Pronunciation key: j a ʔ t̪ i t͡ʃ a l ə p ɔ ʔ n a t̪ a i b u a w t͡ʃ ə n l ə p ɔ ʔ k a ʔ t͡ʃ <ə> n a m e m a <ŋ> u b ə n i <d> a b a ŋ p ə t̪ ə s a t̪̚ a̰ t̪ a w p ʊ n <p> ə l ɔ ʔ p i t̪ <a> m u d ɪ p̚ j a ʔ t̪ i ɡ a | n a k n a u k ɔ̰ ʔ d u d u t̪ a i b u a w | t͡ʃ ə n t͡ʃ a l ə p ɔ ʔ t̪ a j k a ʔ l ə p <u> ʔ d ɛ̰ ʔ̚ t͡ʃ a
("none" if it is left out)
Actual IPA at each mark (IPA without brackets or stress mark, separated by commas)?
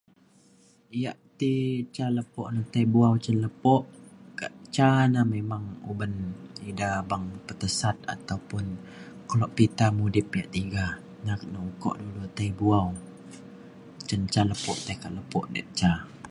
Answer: a, ŋ, d, k, a, ɔ